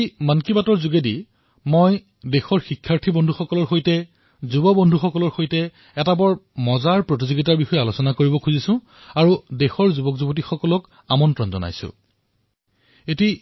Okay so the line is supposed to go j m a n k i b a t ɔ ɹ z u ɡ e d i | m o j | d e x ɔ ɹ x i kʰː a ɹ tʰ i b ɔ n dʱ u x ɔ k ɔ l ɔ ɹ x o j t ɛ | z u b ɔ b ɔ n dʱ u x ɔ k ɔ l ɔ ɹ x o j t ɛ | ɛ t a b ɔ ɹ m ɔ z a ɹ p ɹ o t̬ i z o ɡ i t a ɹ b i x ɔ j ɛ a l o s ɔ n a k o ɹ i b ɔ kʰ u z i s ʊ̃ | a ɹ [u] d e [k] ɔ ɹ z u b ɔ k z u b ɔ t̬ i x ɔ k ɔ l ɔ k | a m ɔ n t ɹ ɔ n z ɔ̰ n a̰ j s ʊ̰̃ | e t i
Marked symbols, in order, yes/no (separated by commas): yes, no